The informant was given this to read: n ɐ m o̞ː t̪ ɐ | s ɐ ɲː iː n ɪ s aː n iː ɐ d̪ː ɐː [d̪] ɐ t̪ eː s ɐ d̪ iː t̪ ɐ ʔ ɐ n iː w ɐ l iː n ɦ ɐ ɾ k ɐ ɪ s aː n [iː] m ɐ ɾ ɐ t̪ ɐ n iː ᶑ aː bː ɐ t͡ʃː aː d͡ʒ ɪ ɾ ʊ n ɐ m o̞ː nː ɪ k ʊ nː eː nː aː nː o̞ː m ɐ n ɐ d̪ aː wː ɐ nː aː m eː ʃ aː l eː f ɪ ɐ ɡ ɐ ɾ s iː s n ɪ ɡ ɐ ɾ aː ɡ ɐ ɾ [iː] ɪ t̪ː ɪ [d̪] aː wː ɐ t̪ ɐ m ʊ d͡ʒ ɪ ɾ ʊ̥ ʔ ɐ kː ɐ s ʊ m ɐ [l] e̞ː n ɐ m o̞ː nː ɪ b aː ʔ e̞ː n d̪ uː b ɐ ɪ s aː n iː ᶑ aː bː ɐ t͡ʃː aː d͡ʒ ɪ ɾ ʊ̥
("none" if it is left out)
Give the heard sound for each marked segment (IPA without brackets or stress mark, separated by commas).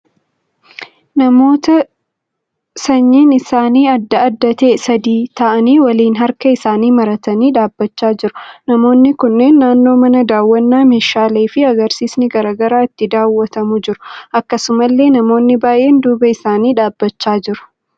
d̪ː, iː, aː, d̪, lː